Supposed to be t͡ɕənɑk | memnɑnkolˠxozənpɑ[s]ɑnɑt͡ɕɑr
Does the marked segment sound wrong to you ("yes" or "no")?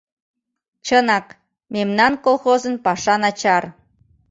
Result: yes